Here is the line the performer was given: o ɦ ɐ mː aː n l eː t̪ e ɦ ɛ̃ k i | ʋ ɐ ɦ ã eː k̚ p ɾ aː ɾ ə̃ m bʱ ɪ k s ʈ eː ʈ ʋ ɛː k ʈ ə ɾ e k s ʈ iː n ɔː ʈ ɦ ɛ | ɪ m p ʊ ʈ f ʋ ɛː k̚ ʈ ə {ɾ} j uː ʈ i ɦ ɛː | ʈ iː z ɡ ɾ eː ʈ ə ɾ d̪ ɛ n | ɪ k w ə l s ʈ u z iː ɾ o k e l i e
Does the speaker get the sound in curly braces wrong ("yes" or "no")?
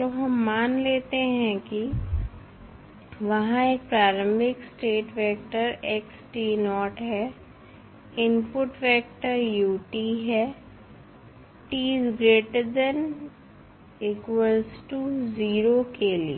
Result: no